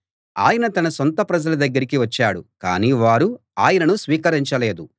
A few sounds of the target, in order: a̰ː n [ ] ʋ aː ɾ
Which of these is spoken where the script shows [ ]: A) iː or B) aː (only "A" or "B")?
A